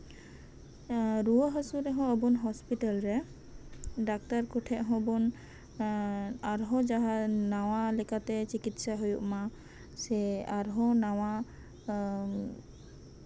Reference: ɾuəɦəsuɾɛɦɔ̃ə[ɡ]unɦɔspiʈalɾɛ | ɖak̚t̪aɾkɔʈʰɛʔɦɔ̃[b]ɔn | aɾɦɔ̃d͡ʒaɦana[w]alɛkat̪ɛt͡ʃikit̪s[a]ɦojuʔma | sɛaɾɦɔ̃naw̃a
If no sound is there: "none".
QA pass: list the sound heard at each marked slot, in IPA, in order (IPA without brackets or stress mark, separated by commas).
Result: b, b, w, a